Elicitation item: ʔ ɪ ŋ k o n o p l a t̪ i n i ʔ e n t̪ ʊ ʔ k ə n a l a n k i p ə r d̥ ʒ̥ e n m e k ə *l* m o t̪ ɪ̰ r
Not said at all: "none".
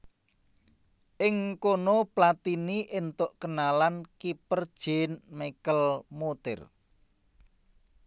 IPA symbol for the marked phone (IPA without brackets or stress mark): l